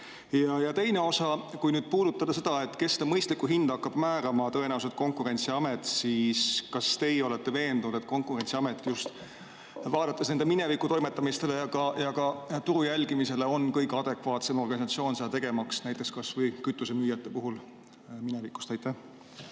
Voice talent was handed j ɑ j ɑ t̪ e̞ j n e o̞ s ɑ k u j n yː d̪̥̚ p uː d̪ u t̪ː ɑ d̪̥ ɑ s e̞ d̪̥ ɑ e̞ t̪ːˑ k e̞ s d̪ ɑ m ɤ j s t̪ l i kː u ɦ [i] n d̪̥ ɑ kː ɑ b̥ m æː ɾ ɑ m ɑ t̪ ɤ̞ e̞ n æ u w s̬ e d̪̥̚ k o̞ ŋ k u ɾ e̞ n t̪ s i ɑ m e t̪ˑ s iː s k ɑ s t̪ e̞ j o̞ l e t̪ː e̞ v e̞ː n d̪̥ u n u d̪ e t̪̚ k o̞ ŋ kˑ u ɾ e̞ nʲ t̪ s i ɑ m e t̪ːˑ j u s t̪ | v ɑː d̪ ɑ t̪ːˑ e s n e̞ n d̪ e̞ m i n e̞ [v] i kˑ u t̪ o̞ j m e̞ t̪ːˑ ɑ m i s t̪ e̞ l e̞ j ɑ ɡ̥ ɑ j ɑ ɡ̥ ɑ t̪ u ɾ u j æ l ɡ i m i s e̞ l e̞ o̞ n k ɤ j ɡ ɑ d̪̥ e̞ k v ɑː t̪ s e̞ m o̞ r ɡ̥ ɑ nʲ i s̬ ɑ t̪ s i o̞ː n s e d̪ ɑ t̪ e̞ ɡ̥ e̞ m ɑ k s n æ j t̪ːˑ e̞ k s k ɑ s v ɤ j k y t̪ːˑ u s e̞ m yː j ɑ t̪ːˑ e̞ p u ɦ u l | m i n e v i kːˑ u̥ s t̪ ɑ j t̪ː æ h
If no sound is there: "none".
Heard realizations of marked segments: i, v

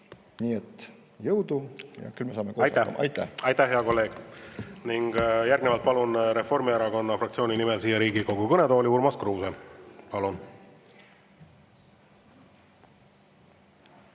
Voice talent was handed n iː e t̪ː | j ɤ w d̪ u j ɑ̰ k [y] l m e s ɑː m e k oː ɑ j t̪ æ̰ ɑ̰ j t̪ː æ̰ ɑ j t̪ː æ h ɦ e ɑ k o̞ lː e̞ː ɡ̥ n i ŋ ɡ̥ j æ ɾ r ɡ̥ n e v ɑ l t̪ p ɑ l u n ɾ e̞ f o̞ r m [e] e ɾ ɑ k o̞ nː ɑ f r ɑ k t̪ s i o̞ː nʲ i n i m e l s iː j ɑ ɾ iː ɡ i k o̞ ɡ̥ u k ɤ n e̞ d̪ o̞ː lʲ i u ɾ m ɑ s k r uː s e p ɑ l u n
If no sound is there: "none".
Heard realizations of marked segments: y, i

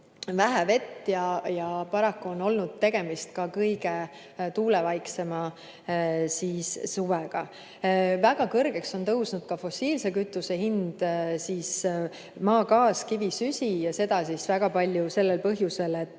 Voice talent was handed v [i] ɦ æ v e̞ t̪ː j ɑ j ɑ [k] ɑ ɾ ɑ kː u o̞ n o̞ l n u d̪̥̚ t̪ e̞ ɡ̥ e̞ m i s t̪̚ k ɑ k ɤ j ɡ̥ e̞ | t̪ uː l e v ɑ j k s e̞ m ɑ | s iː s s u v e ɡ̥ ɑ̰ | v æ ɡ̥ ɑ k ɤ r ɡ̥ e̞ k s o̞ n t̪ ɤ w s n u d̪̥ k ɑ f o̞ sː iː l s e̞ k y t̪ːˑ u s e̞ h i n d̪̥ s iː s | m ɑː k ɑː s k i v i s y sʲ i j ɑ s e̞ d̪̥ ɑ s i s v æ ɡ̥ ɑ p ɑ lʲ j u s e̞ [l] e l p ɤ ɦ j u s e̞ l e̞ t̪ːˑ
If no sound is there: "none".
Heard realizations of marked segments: æ, p, lː

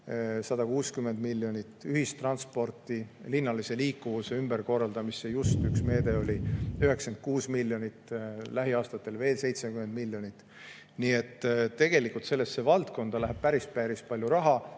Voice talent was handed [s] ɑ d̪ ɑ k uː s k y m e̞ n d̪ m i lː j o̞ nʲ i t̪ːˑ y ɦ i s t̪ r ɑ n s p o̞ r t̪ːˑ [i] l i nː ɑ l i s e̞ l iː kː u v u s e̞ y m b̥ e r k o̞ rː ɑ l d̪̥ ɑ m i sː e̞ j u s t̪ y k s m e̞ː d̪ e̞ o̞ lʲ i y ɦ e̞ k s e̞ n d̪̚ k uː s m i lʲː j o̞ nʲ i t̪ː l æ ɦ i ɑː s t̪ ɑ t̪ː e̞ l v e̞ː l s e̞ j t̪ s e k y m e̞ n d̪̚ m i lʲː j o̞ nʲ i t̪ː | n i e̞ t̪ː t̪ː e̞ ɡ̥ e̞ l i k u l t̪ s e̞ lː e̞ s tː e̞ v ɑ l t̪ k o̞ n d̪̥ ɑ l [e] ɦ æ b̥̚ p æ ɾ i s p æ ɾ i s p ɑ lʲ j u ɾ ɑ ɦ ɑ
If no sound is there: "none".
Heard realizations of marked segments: s, i, æ

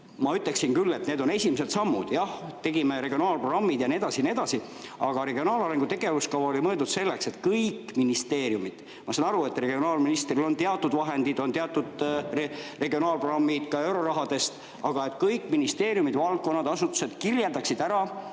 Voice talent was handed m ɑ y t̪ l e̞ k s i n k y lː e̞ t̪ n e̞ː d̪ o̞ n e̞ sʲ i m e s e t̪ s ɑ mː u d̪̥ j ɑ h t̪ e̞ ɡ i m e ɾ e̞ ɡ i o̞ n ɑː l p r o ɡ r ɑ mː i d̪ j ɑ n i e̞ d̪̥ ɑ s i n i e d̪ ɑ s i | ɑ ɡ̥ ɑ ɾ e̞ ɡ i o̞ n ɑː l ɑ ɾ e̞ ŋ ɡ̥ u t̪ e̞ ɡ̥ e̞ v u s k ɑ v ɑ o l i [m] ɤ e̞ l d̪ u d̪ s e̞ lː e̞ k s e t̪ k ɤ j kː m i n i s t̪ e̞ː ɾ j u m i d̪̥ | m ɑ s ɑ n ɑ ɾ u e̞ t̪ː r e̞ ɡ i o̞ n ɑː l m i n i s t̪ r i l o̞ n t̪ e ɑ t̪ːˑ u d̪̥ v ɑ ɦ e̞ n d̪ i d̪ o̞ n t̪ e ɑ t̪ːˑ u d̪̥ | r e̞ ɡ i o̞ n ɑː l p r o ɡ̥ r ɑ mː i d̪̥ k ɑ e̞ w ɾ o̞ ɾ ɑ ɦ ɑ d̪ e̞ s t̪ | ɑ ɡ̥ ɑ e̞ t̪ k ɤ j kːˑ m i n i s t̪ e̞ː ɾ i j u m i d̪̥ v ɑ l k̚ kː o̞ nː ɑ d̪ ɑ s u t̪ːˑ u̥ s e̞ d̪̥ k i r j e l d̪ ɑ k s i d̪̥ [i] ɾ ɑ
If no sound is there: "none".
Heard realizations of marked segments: m, æ

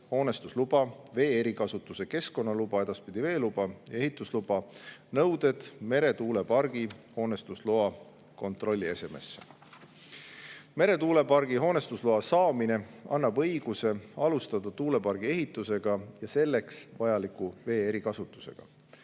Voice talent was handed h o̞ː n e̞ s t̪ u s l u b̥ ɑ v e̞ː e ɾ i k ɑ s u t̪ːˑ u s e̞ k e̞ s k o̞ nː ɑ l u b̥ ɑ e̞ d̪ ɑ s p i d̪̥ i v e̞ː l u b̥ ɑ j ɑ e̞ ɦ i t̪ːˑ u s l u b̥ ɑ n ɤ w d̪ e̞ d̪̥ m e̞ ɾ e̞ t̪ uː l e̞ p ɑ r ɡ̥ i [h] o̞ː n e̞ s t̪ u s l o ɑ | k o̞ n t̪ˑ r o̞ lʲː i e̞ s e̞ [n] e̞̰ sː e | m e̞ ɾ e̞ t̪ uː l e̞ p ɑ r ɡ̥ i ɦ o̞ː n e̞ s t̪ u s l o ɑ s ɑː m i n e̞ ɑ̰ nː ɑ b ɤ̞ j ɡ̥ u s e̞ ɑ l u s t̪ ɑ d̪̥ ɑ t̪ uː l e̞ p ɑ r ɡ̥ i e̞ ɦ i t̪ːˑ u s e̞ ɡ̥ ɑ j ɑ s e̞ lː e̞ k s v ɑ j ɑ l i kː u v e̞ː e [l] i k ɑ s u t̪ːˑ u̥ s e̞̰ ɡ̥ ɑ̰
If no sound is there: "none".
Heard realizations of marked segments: h, m, ɾ

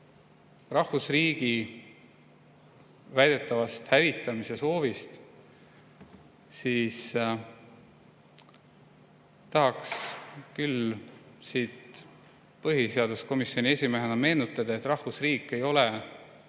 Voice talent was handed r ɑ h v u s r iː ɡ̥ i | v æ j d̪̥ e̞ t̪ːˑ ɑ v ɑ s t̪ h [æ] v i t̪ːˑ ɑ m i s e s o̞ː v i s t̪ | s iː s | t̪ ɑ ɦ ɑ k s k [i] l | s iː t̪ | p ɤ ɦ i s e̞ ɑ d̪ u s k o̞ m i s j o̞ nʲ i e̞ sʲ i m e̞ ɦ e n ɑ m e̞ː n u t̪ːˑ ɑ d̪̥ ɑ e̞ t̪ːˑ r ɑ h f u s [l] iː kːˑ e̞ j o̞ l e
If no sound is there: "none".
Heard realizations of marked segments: æ, y, r

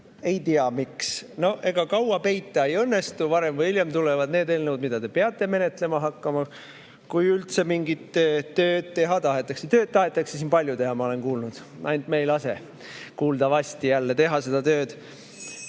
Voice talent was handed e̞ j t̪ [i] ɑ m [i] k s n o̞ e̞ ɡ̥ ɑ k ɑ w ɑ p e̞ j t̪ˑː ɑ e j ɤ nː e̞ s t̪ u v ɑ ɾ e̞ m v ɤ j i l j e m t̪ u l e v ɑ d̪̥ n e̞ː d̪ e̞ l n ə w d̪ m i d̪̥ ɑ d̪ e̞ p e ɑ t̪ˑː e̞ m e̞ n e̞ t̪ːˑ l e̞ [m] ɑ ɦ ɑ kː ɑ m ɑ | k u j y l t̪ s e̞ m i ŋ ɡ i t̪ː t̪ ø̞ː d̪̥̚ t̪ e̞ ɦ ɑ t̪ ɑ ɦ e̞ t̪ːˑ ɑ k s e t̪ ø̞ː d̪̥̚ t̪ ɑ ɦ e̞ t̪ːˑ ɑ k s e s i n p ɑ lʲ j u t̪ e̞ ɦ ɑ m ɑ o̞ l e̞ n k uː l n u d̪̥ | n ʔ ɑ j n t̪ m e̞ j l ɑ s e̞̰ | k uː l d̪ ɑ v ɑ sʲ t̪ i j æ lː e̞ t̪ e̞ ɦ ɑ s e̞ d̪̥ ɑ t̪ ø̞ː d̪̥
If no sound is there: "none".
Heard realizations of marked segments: i, i, m

